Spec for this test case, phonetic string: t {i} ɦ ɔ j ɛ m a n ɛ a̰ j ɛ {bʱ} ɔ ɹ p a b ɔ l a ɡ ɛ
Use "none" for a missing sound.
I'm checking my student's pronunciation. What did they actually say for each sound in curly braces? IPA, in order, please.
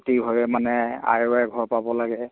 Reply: i, ɡʱ

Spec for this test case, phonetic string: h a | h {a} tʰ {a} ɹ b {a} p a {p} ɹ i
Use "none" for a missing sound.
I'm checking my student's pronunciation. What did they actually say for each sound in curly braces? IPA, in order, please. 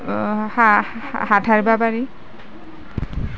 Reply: a, a, a, none

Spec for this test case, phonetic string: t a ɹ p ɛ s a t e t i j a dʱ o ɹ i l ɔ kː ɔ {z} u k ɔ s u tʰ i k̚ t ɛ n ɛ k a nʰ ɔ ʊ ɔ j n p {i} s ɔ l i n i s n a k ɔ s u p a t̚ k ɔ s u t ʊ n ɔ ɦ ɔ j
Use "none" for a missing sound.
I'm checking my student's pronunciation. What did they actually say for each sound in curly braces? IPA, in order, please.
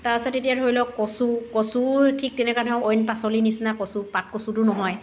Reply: s, a

